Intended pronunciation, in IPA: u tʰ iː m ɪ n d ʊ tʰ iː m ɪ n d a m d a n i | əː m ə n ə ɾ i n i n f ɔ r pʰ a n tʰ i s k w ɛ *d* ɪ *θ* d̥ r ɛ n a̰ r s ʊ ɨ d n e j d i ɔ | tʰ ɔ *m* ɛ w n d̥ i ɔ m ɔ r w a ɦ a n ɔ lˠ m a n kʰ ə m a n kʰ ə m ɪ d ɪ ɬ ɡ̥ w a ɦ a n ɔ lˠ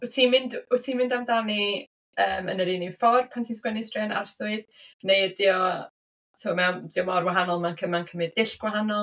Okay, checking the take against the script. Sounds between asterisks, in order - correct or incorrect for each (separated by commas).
incorrect, incorrect, correct